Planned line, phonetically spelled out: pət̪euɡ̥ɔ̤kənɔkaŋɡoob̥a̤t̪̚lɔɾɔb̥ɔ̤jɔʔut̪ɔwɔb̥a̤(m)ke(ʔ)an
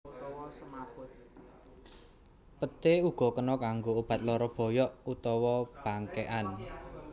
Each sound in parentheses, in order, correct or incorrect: incorrect, correct

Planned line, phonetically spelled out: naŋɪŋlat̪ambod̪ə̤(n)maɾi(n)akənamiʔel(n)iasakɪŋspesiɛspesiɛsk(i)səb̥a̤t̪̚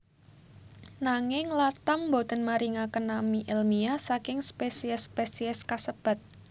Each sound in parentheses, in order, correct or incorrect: correct, incorrect, incorrect, incorrect

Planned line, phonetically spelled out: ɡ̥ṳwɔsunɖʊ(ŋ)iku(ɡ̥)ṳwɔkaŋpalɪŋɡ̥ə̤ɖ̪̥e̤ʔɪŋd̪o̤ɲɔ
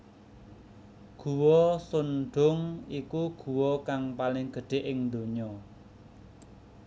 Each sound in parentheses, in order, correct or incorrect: correct, correct

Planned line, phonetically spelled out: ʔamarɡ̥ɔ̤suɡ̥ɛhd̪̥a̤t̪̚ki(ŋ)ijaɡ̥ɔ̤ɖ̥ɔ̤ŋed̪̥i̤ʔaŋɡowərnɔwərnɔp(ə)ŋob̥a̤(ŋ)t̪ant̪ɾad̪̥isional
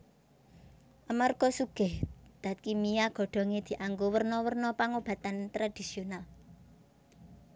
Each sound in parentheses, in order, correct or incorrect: incorrect, incorrect, incorrect

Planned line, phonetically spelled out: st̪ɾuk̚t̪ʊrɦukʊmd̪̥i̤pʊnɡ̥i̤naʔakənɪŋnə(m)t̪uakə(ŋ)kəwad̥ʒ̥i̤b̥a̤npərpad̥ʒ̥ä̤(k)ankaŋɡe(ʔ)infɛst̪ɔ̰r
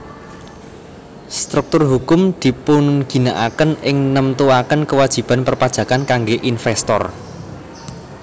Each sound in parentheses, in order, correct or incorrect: correct, incorrect, correct, correct

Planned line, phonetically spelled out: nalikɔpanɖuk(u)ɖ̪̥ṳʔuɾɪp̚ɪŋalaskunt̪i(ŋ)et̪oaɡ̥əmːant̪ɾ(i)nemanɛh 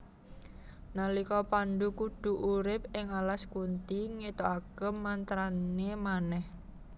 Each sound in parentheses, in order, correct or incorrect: correct, correct, incorrect

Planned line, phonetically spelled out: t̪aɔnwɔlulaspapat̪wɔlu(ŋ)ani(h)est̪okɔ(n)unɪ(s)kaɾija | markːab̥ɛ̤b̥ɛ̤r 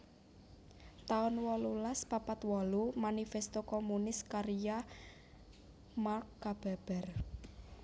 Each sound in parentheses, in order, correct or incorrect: incorrect, incorrect, incorrect, correct

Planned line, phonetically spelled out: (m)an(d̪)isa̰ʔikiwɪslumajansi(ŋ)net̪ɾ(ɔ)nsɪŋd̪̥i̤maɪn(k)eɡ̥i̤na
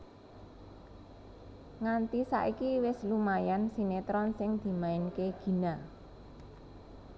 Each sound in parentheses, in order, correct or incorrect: incorrect, incorrect, incorrect, correct, correct

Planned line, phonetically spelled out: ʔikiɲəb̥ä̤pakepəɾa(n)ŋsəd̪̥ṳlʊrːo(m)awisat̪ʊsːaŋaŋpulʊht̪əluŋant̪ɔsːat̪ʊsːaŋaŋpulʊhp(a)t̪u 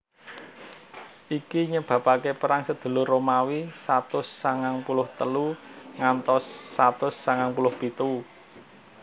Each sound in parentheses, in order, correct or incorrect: incorrect, correct, incorrect

